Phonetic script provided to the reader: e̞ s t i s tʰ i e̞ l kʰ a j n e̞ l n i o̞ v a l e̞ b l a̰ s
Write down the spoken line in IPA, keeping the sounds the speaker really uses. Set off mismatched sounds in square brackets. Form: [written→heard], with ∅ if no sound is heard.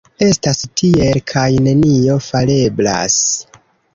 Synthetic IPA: e̞ s t [i→a] s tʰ i e̞ l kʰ a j n e̞ [l→∅] n i o̞ [v→f] a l e̞ b l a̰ s